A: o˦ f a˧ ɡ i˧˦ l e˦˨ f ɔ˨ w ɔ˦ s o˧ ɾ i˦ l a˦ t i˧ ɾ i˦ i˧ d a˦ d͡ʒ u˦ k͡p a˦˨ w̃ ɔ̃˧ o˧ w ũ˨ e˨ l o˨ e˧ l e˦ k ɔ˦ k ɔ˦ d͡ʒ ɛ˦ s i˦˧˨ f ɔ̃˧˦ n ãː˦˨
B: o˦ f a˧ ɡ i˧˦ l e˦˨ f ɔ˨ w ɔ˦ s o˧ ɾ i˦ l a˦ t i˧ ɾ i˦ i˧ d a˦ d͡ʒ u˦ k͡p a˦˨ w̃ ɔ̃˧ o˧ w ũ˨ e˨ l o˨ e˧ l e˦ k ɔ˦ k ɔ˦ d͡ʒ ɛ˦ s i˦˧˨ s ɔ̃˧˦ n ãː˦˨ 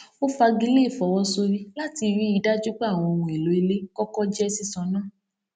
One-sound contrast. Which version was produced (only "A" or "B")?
B